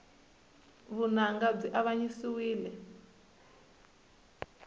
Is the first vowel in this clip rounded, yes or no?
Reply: yes